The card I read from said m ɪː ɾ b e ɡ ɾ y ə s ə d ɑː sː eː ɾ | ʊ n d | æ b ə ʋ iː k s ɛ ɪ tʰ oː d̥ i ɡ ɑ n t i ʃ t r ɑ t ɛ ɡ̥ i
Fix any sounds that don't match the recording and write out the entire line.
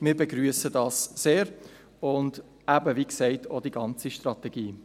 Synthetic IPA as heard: m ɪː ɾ b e ɡ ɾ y ə s ə d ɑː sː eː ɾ | ʊ n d | æ b ə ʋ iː k s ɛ ɪ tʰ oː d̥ i ɡ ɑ n t͡s i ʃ t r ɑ t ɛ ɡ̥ iː